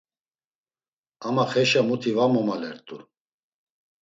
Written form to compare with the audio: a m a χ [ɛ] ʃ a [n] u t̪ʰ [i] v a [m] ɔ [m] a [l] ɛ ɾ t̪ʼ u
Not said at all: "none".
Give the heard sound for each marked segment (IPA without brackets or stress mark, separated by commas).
ɛ, m, i, m, m, l